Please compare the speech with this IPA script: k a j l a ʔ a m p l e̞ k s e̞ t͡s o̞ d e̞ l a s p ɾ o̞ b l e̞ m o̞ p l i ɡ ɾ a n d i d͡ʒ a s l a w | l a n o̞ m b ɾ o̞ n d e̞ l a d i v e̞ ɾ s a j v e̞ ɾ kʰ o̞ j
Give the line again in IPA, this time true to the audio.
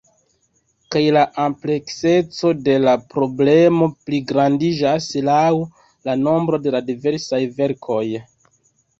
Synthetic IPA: k a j l a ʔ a m p l e̞ k s e̞ t͡s o̞ d e̞ l a p ɾ o̞ b l e̞ m o̞ p l i ɡ ɾ a n d i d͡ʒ a s l a w | l a n o̞ m b ɾ o̞ d e̞ l a d i v e̞ ɾ s a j v e̞ ɾ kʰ o̞ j